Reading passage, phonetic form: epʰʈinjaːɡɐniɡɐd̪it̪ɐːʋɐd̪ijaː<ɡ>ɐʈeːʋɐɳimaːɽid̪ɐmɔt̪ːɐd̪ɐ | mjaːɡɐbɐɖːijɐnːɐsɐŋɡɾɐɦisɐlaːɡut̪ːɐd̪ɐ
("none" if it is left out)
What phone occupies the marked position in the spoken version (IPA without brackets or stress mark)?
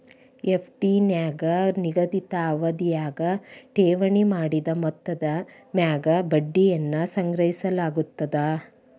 ɡ